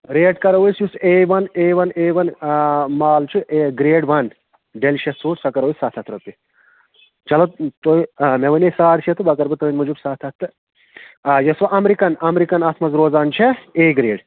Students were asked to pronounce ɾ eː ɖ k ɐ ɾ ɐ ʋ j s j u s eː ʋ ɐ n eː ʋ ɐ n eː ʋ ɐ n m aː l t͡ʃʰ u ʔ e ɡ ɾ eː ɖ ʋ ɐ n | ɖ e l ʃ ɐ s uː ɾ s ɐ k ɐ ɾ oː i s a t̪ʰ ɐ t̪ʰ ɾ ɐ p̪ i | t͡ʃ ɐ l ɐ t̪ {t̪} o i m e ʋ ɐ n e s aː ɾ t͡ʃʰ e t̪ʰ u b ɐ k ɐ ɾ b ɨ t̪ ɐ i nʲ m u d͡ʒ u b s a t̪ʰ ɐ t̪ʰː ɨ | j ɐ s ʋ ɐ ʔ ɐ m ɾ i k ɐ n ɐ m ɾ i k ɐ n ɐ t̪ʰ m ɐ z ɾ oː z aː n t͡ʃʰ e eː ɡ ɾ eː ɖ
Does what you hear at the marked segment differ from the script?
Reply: no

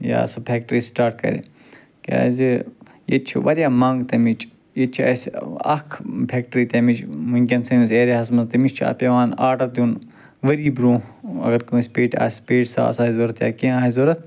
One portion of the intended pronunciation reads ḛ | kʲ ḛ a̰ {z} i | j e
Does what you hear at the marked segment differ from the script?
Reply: no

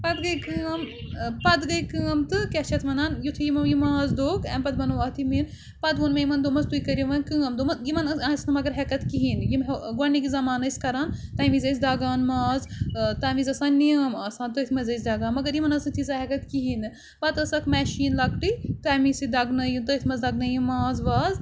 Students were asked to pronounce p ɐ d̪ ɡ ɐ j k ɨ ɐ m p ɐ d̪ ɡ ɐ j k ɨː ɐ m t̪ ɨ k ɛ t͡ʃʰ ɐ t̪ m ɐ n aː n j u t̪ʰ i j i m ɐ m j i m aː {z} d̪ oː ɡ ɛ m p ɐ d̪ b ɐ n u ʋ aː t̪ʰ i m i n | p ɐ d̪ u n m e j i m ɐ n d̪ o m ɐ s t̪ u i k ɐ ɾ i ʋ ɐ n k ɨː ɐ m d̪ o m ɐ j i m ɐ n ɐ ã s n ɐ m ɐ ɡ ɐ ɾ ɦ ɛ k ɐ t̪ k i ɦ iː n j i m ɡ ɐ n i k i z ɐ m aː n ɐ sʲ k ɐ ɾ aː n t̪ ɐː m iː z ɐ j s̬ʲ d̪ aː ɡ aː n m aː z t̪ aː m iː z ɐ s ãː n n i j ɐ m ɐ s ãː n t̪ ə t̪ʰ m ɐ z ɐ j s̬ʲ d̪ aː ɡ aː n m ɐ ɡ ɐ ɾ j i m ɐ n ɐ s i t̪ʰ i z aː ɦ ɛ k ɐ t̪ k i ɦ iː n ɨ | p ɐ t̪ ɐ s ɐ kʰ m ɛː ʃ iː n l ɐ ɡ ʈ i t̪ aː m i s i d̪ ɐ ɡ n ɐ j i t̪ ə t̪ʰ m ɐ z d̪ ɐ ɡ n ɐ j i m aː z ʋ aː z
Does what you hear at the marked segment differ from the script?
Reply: no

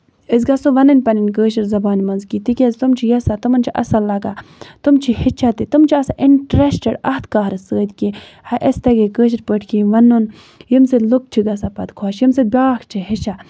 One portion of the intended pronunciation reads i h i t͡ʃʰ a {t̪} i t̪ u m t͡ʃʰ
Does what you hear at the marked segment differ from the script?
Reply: no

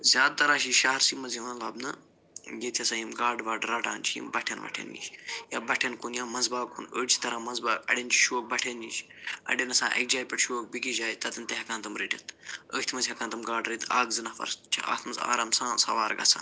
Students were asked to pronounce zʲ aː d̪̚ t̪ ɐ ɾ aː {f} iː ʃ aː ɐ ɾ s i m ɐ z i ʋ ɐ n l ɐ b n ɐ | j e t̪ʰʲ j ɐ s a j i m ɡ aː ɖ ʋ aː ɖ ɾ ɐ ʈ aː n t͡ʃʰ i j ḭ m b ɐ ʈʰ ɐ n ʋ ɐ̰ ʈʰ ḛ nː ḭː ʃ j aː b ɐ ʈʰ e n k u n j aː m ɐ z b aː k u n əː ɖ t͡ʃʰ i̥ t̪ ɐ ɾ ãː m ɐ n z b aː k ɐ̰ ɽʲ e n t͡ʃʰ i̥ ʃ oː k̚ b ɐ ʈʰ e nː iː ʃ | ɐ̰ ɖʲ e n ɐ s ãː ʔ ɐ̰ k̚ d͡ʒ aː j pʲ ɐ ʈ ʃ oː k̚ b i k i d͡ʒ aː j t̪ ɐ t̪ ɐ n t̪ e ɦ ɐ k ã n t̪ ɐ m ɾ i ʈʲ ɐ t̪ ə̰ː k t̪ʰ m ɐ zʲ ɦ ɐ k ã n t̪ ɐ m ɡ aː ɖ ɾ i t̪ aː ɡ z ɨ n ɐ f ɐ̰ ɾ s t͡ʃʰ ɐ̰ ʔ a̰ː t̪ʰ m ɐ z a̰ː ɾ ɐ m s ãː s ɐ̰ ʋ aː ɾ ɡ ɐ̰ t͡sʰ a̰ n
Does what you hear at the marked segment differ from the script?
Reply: yes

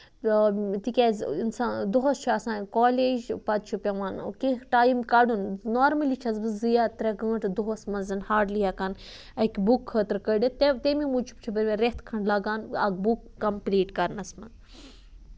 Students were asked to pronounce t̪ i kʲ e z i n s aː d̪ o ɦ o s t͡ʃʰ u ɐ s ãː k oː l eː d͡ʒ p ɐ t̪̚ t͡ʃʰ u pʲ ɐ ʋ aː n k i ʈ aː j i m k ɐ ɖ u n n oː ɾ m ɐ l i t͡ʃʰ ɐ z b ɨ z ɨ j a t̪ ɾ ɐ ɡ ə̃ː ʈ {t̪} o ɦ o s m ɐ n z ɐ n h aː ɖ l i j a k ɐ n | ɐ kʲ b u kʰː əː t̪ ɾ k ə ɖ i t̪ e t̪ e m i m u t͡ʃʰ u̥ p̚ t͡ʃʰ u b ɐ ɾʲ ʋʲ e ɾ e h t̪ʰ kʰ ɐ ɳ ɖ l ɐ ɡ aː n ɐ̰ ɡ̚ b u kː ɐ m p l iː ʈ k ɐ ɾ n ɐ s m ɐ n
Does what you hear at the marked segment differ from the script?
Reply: yes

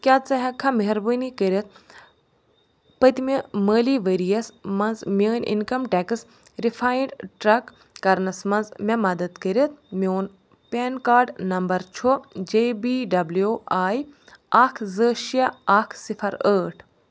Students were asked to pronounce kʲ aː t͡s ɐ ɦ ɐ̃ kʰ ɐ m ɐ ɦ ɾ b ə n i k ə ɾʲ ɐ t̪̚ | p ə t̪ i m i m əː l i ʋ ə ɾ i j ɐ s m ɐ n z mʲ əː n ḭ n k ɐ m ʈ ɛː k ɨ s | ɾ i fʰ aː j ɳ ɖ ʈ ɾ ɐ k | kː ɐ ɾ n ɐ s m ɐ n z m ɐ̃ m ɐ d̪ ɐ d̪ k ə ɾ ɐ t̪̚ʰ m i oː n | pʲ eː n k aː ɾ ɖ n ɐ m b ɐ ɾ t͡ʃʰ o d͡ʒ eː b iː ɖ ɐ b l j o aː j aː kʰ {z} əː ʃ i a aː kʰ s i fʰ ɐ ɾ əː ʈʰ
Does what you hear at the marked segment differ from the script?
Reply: no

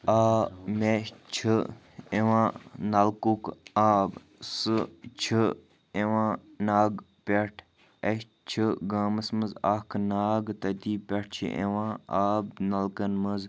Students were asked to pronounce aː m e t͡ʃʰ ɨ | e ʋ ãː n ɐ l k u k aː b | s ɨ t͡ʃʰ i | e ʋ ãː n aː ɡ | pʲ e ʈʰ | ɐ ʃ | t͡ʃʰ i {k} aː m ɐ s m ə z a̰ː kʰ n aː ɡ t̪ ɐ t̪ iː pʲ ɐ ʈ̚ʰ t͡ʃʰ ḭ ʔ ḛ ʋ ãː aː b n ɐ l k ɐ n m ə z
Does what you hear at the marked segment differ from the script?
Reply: yes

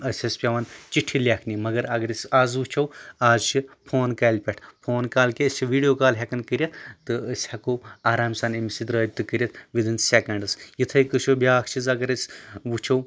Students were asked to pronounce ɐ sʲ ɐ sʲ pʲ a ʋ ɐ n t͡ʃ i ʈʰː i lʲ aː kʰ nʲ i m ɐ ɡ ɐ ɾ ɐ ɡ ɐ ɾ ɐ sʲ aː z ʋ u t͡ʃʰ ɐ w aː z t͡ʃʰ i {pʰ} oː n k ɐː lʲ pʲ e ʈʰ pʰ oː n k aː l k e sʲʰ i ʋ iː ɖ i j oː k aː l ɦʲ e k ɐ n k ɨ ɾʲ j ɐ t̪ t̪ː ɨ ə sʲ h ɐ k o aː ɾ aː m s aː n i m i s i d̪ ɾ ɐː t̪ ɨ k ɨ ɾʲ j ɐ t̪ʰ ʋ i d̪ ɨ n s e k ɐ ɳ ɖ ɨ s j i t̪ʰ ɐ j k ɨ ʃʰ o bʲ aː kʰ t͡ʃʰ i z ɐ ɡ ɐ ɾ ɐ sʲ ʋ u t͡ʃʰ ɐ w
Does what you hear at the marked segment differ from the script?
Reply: no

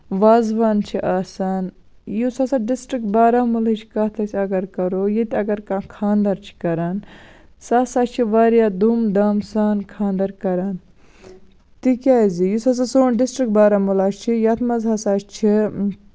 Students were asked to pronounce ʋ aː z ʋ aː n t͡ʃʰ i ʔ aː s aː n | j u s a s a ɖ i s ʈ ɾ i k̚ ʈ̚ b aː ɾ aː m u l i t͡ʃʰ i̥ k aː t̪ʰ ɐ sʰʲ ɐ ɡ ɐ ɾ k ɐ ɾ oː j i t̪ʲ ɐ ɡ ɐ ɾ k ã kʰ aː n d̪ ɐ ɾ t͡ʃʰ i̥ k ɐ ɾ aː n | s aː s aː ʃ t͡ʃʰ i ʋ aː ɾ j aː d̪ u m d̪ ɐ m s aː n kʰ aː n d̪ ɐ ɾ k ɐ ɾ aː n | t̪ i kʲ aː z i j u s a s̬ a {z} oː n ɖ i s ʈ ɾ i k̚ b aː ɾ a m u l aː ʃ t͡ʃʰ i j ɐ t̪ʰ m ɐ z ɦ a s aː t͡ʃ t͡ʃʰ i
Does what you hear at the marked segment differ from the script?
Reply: yes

